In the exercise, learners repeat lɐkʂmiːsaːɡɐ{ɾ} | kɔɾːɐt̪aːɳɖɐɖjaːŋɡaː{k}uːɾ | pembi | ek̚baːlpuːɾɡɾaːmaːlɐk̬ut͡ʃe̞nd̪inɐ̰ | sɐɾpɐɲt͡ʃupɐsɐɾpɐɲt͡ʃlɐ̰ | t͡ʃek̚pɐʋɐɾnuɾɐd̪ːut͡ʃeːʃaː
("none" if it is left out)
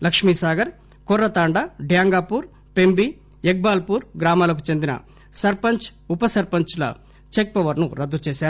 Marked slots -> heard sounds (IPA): ɾ, p

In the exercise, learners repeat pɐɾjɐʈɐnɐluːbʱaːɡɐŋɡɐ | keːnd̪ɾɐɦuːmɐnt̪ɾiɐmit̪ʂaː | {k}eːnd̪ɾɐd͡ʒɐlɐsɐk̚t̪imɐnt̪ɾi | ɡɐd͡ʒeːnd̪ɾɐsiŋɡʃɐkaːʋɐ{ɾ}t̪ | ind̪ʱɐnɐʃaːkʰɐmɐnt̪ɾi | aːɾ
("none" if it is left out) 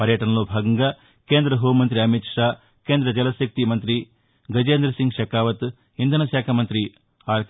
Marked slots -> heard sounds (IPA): k, none

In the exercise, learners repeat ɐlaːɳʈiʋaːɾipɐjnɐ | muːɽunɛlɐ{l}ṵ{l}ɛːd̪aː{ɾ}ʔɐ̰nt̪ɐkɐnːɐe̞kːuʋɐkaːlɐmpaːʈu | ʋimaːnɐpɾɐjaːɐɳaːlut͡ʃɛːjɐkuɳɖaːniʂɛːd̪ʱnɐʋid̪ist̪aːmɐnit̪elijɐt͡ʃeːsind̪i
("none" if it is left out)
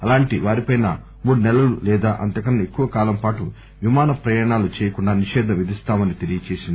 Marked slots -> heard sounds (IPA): l, l, none

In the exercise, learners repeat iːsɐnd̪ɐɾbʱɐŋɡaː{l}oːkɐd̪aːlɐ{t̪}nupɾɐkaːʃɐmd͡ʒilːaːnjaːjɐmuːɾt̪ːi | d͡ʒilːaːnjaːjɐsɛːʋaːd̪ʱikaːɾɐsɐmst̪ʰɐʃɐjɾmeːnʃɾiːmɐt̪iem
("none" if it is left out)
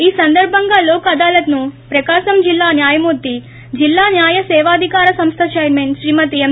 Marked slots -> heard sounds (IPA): l, t̪

